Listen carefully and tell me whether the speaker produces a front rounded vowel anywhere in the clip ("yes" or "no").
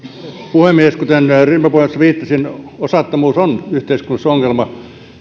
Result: yes